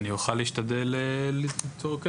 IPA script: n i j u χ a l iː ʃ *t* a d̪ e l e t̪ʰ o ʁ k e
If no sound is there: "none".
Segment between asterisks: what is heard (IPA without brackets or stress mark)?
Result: t